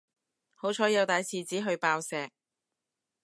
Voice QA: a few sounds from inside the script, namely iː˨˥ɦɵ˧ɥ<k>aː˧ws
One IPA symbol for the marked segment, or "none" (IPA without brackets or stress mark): p